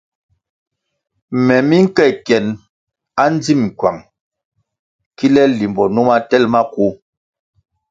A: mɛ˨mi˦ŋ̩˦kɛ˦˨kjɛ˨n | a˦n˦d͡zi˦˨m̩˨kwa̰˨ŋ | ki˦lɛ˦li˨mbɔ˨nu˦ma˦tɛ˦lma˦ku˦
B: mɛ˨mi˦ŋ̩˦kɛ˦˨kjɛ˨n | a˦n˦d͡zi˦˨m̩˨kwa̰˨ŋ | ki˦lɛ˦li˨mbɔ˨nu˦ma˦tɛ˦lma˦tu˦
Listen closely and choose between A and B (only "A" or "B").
A